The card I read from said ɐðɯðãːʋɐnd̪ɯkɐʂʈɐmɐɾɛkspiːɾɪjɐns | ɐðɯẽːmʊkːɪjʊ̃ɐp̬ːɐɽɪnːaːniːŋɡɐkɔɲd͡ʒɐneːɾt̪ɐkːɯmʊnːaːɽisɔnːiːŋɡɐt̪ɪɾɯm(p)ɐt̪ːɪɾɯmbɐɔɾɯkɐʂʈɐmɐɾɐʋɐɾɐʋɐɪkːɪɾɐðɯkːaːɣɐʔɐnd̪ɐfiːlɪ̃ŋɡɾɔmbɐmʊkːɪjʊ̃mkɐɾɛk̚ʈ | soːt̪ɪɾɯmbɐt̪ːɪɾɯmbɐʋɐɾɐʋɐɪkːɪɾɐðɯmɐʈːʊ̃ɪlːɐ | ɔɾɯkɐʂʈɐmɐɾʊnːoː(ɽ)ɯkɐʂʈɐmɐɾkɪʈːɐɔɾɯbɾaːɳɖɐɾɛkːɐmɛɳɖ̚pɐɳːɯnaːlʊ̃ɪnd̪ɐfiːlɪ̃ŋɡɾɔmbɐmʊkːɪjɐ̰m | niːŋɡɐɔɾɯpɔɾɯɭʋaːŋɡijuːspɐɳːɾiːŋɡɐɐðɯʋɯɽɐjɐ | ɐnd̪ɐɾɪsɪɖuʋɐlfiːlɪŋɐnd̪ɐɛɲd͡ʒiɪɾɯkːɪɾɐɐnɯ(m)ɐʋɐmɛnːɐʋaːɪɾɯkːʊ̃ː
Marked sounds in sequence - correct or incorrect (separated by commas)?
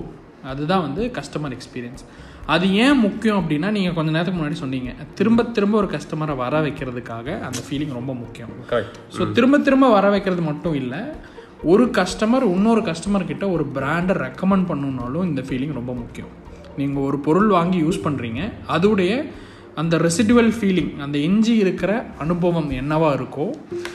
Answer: incorrect, incorrect, incorrect